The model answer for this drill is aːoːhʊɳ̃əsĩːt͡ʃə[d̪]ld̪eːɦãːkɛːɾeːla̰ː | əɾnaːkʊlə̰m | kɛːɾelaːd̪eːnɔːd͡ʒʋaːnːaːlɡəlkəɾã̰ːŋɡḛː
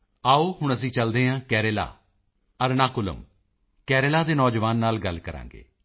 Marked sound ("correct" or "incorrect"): incorrect